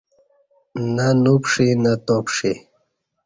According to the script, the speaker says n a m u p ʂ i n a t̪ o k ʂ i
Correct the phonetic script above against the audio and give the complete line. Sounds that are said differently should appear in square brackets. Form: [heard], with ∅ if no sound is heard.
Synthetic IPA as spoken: n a [n] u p ʂ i n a t̪ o [p] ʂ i